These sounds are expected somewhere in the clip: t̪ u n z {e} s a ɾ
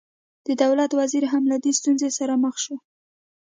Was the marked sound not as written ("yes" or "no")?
no